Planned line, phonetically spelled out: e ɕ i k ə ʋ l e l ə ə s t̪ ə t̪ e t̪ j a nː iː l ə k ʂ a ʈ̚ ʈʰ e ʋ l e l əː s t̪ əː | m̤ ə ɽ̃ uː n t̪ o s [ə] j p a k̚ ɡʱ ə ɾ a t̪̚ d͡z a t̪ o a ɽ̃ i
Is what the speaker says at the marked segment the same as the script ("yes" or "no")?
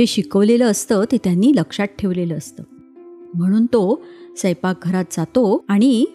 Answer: yes